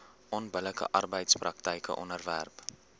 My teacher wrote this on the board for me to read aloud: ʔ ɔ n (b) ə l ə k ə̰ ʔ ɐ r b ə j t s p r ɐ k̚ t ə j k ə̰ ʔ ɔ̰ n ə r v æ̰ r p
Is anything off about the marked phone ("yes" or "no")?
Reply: no